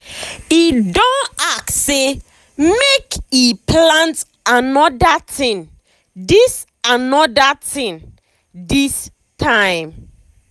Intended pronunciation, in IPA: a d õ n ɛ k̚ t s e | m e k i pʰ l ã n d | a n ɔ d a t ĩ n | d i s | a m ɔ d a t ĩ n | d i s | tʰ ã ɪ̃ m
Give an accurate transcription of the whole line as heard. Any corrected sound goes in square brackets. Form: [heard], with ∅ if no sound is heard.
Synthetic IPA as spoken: [i] d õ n [a] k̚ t s e | m e k i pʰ l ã n [t] | a n ɔ d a t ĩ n | d i s | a [n] ɔ d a t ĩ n | d i s | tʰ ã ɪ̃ m